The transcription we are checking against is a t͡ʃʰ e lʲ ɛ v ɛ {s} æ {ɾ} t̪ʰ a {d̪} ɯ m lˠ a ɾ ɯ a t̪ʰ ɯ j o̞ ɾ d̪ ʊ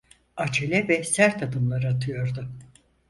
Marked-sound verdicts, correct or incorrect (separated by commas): correct, correct, correct